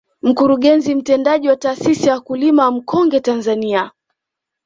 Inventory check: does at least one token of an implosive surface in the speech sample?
yes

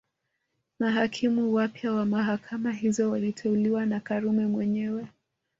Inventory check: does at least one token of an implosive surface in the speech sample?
no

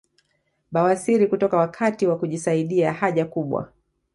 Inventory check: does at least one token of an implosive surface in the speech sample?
yes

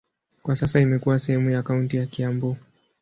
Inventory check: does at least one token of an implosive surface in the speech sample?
no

